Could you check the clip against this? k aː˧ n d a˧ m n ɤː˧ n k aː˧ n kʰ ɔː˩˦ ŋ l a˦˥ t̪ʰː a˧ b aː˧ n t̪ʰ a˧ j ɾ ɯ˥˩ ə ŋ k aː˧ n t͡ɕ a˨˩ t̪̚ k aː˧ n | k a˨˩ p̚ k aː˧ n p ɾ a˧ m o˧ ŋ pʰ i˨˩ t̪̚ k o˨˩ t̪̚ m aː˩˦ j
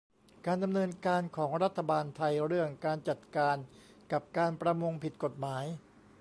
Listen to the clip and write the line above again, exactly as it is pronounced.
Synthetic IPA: k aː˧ n d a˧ m n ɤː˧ n k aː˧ n kʰ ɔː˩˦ ŋ ɾ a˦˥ t̪ʰː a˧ b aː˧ n t̪ʰ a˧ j ɾ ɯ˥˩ ə ŋ k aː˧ n t͡ɕ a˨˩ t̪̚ k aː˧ n | k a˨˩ p̚ k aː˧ n p ɾ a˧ m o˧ ŋ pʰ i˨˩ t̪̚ k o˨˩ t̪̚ m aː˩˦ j